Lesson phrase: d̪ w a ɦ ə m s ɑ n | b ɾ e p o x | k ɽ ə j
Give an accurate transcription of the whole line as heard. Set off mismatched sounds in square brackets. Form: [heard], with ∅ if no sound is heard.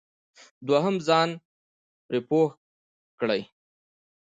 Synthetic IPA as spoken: d̪ w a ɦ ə m [z] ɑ n | [p] ɾ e p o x | k ɽ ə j